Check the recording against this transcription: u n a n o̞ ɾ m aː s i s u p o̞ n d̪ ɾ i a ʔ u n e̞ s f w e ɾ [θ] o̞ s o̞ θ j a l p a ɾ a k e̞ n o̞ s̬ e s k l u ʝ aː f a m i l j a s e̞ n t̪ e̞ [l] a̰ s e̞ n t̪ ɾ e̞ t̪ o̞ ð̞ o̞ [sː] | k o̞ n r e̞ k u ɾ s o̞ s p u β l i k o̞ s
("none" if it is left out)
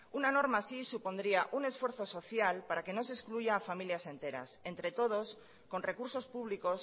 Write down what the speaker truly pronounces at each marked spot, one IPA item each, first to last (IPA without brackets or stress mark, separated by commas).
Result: θ, ɾ, s